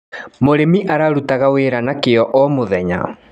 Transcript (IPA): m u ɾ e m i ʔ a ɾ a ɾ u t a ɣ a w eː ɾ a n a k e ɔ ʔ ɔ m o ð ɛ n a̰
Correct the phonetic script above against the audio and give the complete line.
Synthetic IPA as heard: m o ɾ e m i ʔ a ɾ a ɾ u t a ɣ a w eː ɾ a n a k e ɔ ʔ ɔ m o ð ɛ ɲ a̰